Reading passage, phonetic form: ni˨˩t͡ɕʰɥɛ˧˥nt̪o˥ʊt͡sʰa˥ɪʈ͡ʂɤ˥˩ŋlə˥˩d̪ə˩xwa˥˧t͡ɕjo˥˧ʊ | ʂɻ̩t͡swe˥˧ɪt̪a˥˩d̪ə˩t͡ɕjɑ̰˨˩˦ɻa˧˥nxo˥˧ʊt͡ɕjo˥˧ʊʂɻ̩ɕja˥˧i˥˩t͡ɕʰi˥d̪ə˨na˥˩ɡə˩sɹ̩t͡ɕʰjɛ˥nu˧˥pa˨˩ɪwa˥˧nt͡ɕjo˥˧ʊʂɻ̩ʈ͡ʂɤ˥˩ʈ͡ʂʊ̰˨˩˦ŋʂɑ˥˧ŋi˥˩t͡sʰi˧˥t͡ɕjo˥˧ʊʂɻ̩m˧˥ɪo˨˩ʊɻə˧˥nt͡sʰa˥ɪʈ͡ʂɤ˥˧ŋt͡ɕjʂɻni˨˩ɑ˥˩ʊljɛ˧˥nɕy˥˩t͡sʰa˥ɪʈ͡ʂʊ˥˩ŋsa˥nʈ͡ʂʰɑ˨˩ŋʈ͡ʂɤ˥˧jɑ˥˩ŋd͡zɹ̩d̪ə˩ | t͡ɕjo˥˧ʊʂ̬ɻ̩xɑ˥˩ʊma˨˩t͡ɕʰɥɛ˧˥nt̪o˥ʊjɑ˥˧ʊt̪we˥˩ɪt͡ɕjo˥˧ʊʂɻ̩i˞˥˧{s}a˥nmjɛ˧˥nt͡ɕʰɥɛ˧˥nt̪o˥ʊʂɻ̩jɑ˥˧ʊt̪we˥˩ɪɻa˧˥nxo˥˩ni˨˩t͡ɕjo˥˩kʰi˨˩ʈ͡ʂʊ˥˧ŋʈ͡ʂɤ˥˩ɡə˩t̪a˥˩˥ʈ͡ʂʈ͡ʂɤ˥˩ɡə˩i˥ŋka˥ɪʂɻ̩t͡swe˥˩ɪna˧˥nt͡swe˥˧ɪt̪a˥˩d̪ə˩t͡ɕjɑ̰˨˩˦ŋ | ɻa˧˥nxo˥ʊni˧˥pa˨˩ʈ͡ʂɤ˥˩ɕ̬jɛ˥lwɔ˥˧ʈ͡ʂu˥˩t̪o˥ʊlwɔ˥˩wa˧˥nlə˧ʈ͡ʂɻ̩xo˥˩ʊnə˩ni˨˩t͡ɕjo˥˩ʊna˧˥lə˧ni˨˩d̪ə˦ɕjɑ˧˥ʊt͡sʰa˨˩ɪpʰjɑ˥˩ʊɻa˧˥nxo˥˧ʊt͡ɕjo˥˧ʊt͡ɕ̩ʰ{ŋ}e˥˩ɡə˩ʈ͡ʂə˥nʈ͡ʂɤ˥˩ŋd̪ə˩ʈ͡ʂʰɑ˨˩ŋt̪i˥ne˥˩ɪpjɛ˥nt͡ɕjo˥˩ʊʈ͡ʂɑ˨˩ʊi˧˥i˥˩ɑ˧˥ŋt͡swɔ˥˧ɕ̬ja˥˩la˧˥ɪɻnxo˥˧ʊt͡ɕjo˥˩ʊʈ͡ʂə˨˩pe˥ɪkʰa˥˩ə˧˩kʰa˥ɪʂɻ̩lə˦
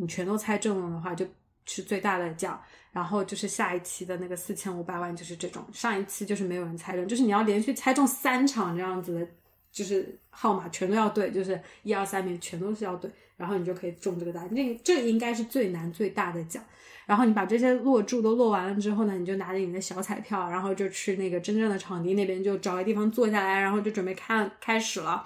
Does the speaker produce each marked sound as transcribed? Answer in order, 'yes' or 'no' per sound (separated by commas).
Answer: yes, no